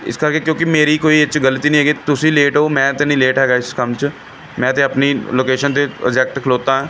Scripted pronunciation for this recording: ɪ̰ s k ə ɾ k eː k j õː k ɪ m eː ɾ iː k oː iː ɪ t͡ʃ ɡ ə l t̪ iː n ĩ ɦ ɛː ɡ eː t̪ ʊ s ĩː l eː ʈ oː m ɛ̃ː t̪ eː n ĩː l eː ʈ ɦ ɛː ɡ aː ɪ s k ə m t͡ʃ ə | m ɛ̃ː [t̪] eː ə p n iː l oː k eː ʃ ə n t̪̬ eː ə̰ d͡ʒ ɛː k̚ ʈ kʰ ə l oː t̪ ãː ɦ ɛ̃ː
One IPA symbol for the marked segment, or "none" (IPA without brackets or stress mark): t̪